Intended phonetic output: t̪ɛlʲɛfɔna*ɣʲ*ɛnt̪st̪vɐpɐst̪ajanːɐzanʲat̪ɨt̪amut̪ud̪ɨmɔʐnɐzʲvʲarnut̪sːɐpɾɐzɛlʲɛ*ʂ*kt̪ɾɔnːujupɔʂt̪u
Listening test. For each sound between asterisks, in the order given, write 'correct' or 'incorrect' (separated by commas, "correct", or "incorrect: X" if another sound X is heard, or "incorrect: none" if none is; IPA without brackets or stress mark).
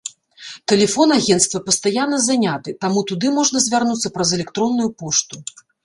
correct, incorrect: none